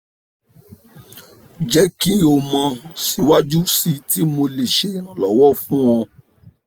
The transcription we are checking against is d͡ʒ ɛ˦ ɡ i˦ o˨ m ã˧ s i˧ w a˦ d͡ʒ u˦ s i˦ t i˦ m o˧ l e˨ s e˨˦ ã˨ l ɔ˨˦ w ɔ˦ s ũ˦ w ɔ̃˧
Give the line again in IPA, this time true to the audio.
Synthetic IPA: d͡ʒ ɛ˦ k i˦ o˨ m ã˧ s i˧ w a˦ d͡ʒ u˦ s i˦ t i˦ m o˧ l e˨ ʃ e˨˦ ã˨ l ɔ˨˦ w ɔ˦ f ũ˦ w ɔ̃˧